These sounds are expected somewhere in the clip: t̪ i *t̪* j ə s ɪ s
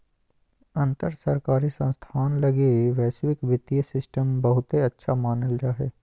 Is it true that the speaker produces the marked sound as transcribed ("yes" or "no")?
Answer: no